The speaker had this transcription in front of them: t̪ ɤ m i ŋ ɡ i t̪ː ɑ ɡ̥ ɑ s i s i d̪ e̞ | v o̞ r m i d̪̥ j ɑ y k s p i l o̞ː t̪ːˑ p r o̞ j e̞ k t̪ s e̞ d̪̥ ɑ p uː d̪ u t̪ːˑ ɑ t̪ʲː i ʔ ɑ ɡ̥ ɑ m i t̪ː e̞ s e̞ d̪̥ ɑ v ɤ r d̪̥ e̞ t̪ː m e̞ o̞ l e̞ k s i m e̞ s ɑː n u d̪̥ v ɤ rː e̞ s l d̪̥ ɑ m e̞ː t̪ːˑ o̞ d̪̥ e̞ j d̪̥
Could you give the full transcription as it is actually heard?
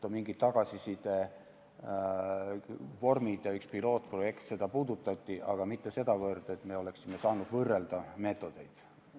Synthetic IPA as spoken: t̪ o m i ŋ ɡ i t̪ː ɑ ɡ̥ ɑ s i s i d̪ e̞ | v o̞ r m i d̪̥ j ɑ y k s p i l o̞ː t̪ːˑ p r o̞ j e̞ k t̪ s e̞ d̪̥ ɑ p uː d̪ u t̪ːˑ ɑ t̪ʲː i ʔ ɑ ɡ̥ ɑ m i t̪ː e̞ s e̞ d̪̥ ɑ v ɤ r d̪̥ e̞ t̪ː m e̞ o̞ l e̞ k s i m e̞ s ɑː n u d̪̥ v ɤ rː e̞ l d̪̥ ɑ m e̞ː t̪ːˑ o̞ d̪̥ e̞ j d̪̥